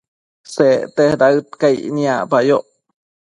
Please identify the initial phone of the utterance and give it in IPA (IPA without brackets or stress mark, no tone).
s